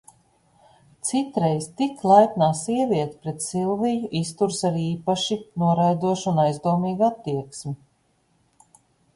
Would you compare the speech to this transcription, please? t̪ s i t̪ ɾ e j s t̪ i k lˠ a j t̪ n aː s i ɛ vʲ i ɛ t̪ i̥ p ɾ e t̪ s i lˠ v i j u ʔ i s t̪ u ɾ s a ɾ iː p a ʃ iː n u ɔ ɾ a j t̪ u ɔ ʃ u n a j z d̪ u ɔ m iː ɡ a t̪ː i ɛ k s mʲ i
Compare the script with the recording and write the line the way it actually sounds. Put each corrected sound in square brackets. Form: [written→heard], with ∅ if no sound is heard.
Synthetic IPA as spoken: t̪ s i t̪ ɾ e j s t̪ i k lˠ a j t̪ n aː s i ɛ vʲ i ɛ t̪ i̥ p ɾ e t̪ s i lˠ v i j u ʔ i s t̪ u ɾ s a ɾ iː p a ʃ [iː→i] n u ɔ ɾ a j [t̪→d̪] u ɔ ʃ u n a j z d̪ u ɔ m iː ɡ a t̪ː i ɛ k s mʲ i